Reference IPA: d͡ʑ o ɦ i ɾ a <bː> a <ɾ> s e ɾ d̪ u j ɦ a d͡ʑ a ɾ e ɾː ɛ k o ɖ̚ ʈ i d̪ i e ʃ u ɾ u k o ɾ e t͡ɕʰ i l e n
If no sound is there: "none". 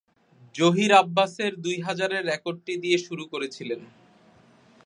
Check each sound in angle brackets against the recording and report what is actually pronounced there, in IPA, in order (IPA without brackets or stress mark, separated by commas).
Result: bː, none